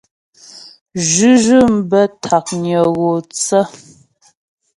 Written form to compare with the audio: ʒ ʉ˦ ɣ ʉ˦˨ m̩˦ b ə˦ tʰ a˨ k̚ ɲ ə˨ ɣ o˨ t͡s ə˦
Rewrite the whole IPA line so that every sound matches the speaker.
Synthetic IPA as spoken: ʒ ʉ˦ ʒ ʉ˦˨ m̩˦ b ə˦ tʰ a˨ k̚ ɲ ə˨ ɣ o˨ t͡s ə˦